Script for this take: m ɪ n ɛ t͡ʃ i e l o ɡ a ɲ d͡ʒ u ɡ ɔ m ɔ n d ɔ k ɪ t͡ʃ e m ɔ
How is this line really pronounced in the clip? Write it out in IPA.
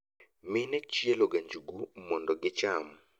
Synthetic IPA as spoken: m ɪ n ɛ t͡ʃ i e l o ɡ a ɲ d͡ʒ u ɡ u m ɔ n d ɔ ɡ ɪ t͡ʃ a m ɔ